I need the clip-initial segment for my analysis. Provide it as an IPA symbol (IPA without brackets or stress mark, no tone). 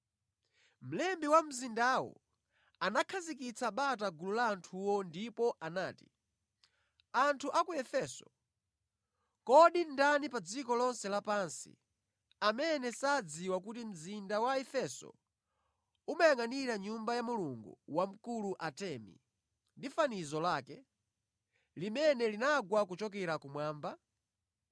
m̩